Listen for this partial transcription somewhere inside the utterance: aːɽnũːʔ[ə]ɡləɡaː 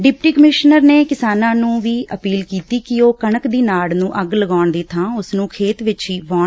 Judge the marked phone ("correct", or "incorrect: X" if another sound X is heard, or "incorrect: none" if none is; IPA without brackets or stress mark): correct